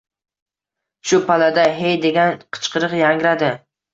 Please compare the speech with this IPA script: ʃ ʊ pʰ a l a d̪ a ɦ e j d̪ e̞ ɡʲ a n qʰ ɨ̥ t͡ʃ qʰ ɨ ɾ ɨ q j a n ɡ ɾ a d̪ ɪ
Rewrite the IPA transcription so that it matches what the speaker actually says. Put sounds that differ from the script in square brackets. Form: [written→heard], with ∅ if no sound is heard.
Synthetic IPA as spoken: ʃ ʊ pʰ a l a d̪ a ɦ e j d̪ e̞ ɡʲ a n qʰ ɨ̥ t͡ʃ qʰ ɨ ɾ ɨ q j a [n→ŋ] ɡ ɾ a d̪ ɪ